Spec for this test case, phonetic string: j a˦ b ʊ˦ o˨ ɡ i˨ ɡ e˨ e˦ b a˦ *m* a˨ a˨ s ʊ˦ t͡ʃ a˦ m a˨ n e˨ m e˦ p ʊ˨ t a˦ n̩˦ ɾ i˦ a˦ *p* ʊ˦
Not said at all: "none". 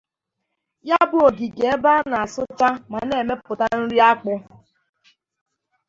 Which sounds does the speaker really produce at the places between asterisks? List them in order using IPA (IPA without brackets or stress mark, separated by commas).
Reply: n, k͡p